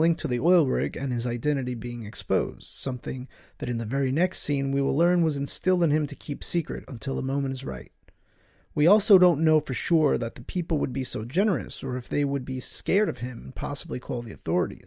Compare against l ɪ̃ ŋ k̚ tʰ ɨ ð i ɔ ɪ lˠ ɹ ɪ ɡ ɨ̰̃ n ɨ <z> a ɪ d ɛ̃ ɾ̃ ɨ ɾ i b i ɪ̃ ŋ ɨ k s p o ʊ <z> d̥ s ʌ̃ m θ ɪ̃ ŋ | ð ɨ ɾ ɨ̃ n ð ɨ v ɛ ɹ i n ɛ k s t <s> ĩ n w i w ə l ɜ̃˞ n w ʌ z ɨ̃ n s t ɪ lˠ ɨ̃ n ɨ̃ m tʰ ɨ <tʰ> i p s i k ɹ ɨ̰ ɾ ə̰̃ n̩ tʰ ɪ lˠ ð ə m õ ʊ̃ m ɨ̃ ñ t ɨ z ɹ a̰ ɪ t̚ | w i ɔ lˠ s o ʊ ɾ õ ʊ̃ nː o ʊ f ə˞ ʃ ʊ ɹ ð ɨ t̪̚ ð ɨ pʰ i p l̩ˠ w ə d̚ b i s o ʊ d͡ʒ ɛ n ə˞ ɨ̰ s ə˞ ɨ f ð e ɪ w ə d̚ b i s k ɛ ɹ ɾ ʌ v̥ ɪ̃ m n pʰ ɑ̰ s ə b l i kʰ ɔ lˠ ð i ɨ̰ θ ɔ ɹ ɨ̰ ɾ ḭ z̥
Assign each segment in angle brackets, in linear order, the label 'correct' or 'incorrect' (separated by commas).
correct, correct, correct, incorrect